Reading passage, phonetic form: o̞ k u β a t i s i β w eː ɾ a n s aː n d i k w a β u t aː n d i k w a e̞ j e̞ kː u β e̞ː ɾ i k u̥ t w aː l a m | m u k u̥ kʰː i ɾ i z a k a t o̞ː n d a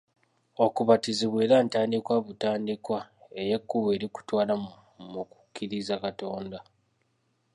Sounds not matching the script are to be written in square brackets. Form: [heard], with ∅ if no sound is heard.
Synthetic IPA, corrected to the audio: o̞ k u β a t i [z] i β w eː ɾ a n [t] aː n d i k w a β u t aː n d i k w a e̞ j e̞ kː u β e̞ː ɾ i k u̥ t w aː l a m | m u k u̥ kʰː i ɾ i z a k a t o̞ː n d a